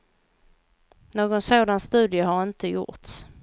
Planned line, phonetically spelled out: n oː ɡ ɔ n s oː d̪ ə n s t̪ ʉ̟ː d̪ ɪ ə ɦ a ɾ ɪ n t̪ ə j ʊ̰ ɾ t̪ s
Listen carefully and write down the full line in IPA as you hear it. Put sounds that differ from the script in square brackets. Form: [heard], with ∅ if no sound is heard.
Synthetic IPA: n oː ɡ ɔ n s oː d̪ [a] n s t̪ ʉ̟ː d̪ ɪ ə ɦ a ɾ ɪ n t̪ ə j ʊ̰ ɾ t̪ s